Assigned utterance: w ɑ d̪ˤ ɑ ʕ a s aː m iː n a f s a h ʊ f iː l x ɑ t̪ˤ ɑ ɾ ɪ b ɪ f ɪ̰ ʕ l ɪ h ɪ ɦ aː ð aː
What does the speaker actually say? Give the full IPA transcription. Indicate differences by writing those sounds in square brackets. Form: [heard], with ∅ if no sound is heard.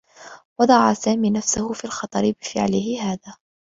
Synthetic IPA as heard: w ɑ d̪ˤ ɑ ʕ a s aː m iː n a f s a h ʊ f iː l x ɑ t̪ˤ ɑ ɾ ɪ b ɪ f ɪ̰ ʕ l ɪ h ɪ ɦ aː ð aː